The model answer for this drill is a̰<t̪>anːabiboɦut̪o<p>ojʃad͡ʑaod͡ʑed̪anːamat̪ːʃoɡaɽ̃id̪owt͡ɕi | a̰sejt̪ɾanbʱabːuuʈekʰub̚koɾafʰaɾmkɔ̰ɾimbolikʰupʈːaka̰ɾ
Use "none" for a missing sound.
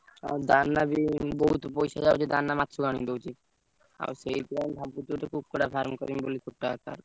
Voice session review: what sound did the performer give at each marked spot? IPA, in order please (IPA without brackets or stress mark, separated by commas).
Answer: d̪, p